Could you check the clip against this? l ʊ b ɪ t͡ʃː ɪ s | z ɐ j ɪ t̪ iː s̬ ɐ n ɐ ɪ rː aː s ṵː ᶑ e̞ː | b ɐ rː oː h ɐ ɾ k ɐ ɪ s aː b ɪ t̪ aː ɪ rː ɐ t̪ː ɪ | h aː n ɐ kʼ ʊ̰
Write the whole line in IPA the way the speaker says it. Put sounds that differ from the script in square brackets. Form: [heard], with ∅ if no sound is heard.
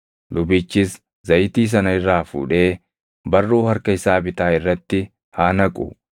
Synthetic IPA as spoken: l ʊ b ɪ t͡ʃː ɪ s | z ɐ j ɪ t̪ iː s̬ ɐ n ɐ ɪ rː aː [f] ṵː ᶑ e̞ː | b ɐ rː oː h ɐ ɾ k ɐ ɪ s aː b ɪ t̪ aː ɪ rː ɐ t̪ː ɪ | h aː n ɐ kʼ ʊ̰